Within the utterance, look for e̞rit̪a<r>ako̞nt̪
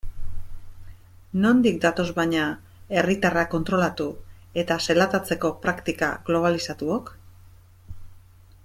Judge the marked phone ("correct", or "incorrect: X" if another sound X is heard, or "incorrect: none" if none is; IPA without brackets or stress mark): correct